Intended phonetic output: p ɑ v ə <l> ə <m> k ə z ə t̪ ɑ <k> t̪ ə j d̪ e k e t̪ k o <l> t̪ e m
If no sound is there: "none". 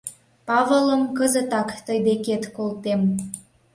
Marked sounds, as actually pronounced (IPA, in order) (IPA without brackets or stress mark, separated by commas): l, m, k, l